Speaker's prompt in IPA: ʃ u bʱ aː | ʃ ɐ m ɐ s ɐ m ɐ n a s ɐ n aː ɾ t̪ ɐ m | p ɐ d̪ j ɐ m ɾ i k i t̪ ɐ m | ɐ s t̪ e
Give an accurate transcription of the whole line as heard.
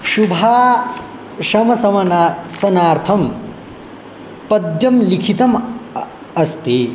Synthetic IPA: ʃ u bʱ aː | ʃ ɐ m ɐ s ɐ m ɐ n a s ɐ n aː ɾ t̪ʰ ɐ m | p ɐ d̪ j ɐ m l i kʰ i t̪ ɐ m | ɐ s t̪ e